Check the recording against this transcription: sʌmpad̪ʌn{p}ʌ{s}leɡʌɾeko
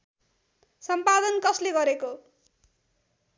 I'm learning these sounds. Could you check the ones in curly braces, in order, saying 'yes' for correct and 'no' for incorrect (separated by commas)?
no, yes